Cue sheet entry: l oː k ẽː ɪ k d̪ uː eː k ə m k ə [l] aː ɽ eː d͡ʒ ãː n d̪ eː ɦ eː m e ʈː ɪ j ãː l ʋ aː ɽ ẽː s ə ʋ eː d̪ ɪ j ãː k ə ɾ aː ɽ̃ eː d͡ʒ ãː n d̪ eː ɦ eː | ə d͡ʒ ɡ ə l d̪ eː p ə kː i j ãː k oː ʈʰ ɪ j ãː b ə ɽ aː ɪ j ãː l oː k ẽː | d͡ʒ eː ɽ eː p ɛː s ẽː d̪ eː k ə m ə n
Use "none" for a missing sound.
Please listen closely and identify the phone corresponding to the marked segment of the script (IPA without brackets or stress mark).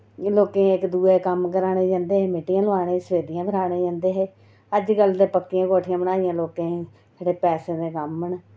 ɾ